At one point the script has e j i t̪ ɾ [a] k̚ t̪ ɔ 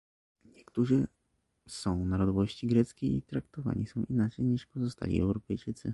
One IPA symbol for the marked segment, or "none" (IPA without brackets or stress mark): a